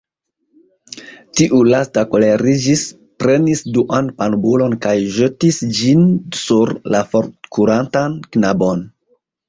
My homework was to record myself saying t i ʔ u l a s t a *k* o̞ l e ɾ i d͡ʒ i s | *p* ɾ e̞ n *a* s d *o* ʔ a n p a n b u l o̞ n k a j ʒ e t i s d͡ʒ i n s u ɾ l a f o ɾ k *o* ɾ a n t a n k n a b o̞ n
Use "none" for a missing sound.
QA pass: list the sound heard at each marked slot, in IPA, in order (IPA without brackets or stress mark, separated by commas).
k, p, i, u, u